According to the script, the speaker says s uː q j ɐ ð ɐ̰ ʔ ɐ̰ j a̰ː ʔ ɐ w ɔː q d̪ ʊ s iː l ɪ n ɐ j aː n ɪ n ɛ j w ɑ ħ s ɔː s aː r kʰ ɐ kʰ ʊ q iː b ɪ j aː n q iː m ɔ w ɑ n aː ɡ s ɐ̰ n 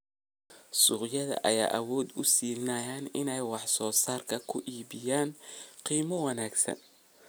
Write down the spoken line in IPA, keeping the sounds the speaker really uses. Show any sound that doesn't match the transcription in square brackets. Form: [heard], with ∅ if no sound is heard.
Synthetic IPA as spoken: s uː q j ɐ ð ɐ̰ ʔ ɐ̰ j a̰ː ʔ ɐ w ɔː [∅] d̪ ʊ s iː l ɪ n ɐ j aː n ɪ n ɛ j w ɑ ħ s ɔː s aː r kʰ ɐ kʰ ʊ [ʔ] iː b ɪ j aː n q iː m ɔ w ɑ n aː ɡ s ɐ̰ n